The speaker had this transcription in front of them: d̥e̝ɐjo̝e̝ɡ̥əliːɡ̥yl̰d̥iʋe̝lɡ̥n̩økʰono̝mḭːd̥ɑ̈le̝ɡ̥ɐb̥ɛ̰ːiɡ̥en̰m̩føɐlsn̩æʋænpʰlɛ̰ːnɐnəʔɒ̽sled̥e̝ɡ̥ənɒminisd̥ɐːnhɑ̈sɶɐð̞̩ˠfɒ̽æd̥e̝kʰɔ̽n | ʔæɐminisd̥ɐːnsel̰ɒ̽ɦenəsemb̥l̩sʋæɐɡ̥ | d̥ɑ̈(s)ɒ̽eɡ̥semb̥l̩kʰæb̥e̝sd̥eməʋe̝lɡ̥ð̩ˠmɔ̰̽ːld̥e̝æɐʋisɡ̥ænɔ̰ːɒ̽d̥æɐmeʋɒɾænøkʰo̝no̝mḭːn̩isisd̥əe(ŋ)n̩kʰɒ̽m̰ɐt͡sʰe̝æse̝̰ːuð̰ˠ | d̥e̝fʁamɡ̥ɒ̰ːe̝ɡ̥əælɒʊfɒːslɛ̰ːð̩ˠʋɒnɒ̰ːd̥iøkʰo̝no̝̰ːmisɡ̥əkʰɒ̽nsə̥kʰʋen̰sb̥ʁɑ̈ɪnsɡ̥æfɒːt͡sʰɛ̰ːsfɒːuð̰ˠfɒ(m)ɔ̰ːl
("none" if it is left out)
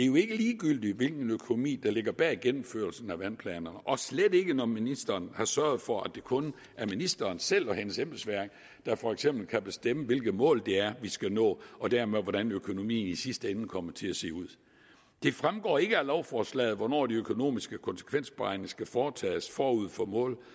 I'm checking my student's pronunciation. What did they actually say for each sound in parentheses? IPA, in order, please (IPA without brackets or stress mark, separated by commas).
f, n, m